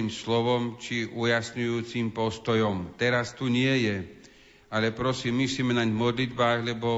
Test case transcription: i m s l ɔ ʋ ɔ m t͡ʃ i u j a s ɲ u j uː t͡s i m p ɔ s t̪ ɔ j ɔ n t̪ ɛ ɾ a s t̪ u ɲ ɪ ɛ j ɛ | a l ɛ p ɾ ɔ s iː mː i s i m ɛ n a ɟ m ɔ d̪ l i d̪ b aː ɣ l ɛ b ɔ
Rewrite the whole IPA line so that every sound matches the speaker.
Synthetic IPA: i m s l ɔ ʋ ɔ m t͡ʃ i u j a s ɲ u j uː t͡s i m p ɔ s t̪ ɔ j ɔ m t̪ ɛ ɾ a s t̪ u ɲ ɪ ɛ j ɛ | a l ɛ p ɾ ɔ s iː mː i s i m ɛ n a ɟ m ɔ d̪ l i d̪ b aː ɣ l ɛ b ɔ